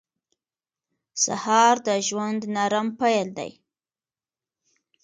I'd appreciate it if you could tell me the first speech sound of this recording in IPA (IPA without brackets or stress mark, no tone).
s